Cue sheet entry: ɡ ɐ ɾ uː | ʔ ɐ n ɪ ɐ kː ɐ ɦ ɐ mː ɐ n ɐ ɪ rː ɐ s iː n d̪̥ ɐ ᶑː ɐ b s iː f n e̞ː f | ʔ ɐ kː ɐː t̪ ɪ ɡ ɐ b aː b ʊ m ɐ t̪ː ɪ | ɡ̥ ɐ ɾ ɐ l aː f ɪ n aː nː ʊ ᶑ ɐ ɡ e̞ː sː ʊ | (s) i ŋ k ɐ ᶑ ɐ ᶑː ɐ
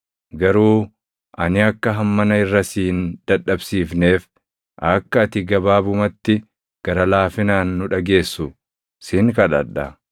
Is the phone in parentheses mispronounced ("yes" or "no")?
no